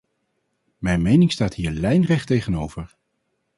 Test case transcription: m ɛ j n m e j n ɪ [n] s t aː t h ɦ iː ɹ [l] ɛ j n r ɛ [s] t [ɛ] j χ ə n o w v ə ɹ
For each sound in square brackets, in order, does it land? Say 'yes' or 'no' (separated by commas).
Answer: no, yes, no, no